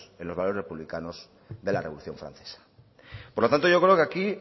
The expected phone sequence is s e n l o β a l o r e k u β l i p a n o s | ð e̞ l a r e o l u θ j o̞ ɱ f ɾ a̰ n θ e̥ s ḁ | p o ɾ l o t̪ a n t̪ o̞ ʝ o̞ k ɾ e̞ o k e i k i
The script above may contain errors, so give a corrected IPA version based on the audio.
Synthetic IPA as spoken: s e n l o β a l o r e p u β l i k a n o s | ð e̞ l a r e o l u θ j o̞ ɱ f ɾ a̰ n θ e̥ s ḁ | p o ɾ l o t̪ a n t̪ o̞ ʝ o̞ k ɾ e̞ o k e a k i